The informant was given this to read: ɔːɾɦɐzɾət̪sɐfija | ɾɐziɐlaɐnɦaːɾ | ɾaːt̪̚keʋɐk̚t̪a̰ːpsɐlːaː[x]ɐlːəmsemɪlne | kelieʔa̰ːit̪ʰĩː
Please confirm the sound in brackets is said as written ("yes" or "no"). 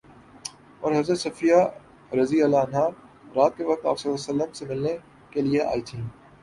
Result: no